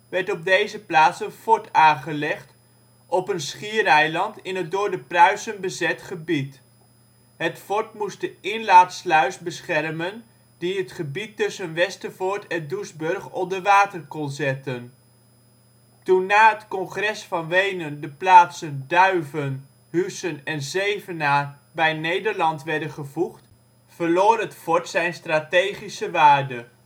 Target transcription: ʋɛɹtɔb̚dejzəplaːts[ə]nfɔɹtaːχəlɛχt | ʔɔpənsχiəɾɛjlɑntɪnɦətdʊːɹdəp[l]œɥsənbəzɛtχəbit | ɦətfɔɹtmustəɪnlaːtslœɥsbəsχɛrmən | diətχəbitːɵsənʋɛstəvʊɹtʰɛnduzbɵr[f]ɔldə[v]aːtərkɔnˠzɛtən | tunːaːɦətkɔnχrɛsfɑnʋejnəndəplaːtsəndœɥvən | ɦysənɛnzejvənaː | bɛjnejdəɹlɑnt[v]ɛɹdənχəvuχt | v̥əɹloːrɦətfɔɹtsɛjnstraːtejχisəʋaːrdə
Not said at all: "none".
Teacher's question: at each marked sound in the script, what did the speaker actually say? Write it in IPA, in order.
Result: ə, r, χ, ʋ, ʋ

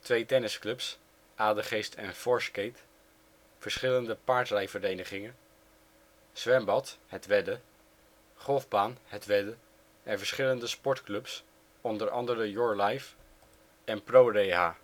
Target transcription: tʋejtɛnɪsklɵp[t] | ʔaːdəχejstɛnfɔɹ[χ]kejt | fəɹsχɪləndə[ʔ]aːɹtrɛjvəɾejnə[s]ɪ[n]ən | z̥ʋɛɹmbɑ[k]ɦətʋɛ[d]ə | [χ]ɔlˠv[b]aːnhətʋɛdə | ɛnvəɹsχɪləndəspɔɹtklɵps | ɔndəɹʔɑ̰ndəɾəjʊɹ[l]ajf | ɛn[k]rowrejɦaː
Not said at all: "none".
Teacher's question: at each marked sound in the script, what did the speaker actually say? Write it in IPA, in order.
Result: s, s, p, χ, ŋ, t, d, χ, b, l, p

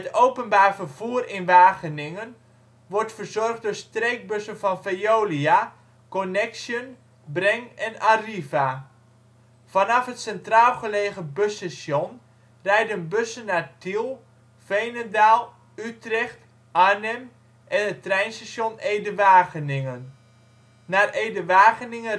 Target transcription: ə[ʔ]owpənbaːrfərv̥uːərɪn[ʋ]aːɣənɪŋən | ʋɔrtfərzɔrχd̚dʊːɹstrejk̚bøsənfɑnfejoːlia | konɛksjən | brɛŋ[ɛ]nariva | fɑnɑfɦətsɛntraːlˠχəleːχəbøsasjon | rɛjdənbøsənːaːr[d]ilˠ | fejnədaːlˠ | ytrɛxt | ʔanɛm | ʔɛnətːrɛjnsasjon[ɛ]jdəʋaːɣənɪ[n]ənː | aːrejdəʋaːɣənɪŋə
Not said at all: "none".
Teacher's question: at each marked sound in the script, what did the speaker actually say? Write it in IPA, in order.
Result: t, ʋ, ɛ, t, e, ŋ

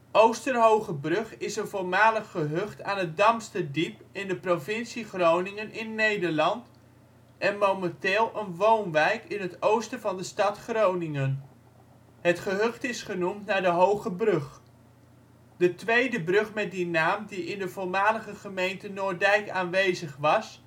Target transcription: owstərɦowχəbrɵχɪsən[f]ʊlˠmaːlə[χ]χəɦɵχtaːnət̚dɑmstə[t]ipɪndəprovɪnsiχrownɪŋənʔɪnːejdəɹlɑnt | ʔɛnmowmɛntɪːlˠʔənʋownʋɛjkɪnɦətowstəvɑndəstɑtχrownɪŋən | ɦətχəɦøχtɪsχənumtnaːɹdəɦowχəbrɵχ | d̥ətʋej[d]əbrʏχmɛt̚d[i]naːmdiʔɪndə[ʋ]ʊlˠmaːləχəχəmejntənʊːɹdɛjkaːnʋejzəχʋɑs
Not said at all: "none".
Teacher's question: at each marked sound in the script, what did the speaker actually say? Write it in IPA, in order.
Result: v, χ, d, d, i, v

